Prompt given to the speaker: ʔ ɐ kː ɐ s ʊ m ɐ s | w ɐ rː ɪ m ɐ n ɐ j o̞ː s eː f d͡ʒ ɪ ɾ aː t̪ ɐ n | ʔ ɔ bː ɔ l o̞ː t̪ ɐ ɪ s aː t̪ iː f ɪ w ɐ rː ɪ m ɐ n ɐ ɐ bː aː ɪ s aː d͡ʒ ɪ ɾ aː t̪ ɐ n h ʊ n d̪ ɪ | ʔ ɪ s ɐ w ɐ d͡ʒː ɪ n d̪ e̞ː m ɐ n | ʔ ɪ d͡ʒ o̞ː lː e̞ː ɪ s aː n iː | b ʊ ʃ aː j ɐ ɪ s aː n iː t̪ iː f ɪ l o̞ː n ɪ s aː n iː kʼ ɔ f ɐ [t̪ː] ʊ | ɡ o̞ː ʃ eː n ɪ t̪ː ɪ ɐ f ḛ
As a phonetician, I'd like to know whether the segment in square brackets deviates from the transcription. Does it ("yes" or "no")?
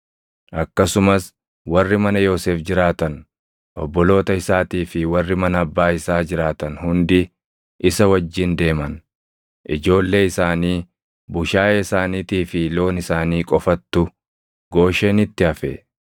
no